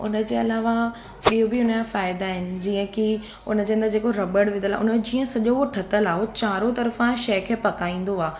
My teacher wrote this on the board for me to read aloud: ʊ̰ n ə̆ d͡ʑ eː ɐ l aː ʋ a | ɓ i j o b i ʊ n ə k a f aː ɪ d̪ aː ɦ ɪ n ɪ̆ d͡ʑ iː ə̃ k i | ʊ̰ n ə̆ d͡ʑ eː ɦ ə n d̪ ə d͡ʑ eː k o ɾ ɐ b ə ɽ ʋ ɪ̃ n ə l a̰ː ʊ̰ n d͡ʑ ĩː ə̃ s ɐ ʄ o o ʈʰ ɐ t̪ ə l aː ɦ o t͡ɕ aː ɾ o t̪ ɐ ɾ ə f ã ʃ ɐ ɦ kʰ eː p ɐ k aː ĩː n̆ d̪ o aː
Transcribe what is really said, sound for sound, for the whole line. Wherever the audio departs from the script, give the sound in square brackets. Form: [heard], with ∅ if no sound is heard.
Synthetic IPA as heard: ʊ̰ n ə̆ d͡ʑ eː ɐ l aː ʋ a | ɓ i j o b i ʊ n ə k a f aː ɪ d̪ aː ɦ ɪ n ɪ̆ d͡ʑ iː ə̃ k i | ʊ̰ n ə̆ d͡ʑ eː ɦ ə n d̪ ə d͡ʑ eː k o ɾ ɐ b ə ɽ ʋ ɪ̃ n ə l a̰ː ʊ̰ n d͡ʑ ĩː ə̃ s ɐ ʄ o o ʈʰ ɐ t̪ ə l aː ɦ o t͡ɕ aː ɾ o t̪ ɐ ɾ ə f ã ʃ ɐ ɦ kʰ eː p ɐ k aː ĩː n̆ d̪ o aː